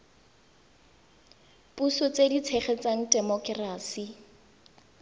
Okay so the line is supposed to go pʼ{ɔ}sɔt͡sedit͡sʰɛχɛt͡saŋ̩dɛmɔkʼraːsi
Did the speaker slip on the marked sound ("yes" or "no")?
yes